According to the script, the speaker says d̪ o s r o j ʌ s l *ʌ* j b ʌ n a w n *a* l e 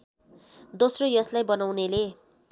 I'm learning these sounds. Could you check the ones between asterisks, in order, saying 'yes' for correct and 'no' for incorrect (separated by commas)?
no, no